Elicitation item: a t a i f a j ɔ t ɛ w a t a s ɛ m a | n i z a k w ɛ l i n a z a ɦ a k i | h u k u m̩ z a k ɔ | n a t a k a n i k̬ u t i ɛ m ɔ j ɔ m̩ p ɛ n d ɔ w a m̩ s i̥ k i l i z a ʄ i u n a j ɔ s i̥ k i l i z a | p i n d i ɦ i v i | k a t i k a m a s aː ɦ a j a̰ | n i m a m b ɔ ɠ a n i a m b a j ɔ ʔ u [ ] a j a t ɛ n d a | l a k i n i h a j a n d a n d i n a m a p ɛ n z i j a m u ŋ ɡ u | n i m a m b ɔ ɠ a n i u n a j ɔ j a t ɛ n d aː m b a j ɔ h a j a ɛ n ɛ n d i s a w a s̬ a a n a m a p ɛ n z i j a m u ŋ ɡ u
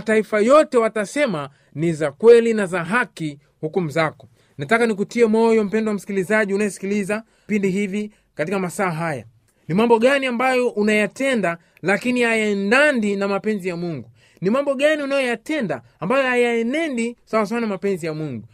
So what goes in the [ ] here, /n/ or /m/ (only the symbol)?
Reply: n